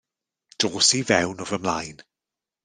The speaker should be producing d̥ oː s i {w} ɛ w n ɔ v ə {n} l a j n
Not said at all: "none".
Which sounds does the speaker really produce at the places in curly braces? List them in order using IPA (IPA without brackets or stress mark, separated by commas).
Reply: v, m